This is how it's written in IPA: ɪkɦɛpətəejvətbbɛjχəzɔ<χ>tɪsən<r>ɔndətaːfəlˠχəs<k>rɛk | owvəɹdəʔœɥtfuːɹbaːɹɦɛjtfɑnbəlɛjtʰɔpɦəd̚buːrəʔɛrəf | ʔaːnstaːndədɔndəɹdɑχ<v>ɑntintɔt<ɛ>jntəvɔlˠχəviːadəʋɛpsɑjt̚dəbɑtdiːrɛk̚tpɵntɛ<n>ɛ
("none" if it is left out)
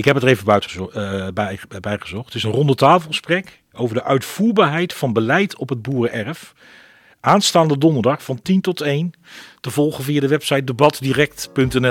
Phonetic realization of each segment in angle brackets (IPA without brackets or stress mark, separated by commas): χ, r, p, f, e, n